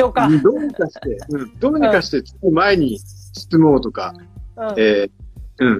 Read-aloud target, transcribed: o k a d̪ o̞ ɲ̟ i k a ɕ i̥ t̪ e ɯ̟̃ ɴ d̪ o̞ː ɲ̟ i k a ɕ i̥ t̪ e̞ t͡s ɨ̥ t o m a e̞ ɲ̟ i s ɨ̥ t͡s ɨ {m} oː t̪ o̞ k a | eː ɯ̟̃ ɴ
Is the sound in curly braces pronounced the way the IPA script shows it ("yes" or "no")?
yes